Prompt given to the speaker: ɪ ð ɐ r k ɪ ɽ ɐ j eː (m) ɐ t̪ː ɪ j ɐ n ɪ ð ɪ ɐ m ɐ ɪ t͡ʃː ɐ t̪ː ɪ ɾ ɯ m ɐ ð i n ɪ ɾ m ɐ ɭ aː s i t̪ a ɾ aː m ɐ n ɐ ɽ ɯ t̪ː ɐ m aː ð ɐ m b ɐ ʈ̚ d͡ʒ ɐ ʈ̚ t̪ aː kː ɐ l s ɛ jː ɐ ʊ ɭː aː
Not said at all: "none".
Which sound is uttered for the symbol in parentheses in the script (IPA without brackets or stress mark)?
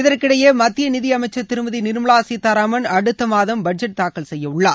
m